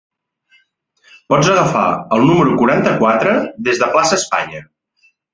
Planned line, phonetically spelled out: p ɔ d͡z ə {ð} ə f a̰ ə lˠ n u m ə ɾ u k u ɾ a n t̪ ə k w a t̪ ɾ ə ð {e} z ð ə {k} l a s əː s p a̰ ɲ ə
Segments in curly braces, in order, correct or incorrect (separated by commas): incorrect, correct, incorrect